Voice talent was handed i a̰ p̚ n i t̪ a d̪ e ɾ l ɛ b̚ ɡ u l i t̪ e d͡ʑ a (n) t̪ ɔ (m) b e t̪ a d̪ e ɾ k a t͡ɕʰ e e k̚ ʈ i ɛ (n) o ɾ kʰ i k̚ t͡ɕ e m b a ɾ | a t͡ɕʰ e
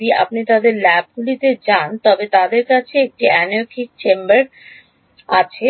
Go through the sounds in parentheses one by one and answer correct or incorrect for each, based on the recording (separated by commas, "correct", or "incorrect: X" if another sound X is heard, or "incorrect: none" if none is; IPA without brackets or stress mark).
correct, incorrect: none, correct